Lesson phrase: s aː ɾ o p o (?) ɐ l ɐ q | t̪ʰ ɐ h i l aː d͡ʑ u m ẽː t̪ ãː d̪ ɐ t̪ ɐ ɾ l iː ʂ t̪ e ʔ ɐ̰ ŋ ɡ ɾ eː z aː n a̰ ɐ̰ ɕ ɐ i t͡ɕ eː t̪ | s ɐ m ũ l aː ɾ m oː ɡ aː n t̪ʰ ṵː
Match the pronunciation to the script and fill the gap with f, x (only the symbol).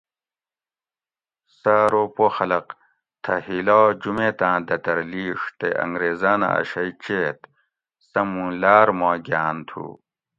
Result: x